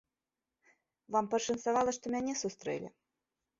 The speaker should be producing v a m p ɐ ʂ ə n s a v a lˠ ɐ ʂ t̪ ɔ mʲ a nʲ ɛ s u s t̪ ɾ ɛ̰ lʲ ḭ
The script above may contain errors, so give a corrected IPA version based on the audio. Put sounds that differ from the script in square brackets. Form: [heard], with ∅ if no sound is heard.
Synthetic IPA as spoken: v a m p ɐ ʂ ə n s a v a lˠ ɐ ʂ t̪ ɔ mʲ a nʲ ɛ s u s t̪ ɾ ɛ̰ lʲ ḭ